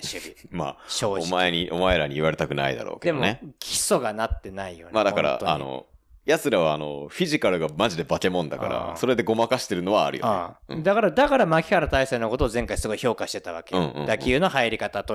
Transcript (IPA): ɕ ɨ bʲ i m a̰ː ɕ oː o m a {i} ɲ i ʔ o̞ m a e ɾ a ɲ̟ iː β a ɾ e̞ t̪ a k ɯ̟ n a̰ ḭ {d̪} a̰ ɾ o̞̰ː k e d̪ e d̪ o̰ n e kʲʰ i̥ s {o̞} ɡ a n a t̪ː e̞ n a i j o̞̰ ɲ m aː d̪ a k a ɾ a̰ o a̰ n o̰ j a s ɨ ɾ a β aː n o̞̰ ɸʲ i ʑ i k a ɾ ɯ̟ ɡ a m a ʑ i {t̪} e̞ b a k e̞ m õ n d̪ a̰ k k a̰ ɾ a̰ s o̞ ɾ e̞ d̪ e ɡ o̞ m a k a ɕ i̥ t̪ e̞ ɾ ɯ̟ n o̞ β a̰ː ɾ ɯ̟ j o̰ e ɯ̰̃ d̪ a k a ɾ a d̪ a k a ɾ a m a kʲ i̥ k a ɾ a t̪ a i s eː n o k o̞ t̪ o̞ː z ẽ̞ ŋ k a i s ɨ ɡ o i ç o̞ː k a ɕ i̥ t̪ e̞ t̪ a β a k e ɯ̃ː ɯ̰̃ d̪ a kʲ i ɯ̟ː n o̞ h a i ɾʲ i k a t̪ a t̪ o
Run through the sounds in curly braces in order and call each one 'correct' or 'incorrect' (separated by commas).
incorrect, correct, correct, incorrect